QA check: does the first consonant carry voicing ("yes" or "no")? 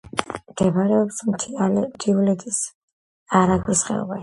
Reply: yes